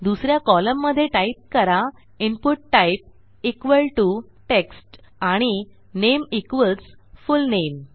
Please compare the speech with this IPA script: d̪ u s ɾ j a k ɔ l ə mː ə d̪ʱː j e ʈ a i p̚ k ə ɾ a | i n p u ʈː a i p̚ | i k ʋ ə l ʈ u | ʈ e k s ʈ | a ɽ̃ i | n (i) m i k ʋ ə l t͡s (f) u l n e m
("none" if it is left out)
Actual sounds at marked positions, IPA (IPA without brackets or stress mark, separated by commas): e, f